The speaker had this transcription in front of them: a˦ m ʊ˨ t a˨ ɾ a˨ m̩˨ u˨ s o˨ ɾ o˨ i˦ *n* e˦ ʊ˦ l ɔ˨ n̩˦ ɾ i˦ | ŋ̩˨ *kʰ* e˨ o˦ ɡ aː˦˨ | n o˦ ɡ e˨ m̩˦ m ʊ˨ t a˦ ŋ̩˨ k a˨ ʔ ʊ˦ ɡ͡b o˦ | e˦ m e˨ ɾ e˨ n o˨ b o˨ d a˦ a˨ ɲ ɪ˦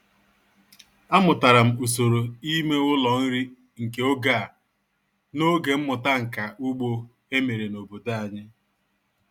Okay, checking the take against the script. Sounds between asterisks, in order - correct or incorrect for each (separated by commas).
incorrect, incorrect